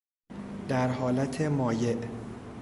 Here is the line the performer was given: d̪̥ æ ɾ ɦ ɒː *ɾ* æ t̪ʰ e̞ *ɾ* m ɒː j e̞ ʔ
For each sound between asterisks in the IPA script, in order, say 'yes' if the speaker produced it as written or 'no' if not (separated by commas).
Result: no, no